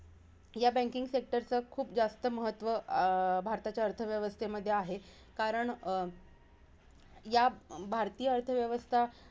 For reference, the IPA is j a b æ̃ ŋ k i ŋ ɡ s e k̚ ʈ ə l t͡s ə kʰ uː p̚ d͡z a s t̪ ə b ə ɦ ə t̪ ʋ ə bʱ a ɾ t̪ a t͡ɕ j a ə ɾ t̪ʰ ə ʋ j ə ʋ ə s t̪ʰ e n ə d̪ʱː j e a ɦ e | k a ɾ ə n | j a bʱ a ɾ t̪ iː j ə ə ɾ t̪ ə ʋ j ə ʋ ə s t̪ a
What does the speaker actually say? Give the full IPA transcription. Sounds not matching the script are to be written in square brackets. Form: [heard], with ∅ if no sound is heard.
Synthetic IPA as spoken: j a b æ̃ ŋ k i ŋ ɡ s e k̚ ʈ ə [ɾ] t͡s ə kʰ uː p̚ d͡z a s t̪ ə [m] ə ɦ ə t̪ ʋ ə bʱ a ɾ t̪ a t͡ɕ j a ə ɾ t̪ʰ ə ʋ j ə ʋ ə s t̪ʰ e [m] ə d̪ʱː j e a ɦ e | k a ɾ ə [ɳ] | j a bʱ a ɾ t̪ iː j ə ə ɾ [t̪ʰ] ə ʋ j ə ʋ ə s [t̪ʰ] a